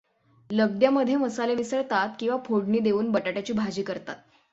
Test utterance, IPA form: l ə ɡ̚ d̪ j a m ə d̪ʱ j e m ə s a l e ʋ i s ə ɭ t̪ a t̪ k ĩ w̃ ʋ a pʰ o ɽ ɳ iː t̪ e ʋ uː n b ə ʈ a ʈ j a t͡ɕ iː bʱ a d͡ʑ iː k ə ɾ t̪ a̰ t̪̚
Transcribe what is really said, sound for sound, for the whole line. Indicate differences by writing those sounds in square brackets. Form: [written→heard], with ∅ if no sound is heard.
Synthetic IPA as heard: l ə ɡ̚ d̪ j a m ə d̪ʱ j e m ə s a l e ʋ i s ə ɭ t̪ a t̪ k ĩ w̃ ʋ a pʰ o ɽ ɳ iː [t̪→d̪] e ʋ uː n b ə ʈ a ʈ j a t͡ɕ iː bʱ a d͡ʑ iː k ə ɾ t̪ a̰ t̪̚

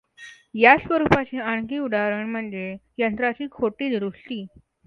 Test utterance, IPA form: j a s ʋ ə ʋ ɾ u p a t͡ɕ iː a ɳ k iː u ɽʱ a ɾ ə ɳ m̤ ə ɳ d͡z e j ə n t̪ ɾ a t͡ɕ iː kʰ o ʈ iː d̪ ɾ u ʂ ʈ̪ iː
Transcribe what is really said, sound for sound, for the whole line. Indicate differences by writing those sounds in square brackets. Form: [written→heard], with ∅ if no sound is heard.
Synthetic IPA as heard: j a s ʋ ə [ʋ→∅] ɾ u p a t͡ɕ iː a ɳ k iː u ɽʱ a ɾ ə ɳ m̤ ə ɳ d͡z e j ə n t̪ ɾ a t͡ɕ iː kʰ o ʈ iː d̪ ɾ u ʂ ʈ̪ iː

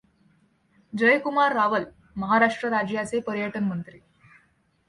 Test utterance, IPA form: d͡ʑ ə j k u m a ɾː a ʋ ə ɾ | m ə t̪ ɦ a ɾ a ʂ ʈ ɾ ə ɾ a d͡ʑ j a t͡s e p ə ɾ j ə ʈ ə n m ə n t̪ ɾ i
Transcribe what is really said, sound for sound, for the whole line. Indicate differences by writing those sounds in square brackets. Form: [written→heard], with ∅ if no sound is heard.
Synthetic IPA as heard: d͡ʑ ə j k u m a ɾː a ʋ ə [ɾ→l] | m ə [t̪→∅] ɦ a ɾ a ʂ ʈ ɾ ə ɾ a d͡ʑ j a t͡s e p ə ɾ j ə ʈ ə n m ə n t̪ ɾ i

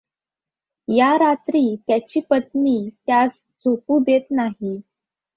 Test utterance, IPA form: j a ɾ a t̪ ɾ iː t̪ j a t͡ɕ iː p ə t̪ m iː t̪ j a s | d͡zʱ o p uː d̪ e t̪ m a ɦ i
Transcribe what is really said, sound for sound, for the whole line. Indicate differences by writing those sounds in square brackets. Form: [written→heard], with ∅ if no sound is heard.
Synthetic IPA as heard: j a ɾ a t̪ ɾ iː t̪ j a t͡ɕ iː p ə t̪ [m→n] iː t̪ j a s | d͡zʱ o p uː d̪ e t̪ [m→n] a ɦ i

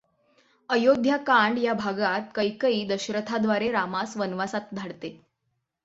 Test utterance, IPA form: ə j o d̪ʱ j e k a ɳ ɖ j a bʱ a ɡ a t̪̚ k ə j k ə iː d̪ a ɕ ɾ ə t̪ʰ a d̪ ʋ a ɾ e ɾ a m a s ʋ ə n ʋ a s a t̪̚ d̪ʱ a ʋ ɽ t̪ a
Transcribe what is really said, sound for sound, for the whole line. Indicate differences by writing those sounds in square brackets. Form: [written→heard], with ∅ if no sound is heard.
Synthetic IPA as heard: ə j o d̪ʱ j [e→a] k a ɳ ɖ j a bʱ a ɡ a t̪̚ k ə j k ə iː d̪ [a→ə] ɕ ɾ ə t̪ʰ a d̪ ʋ a ɾ e ɾ a m a s ʋ ə n ʋ a s a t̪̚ d̪ʱ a [ʋ→∅] ɽ t̪ [a→e]

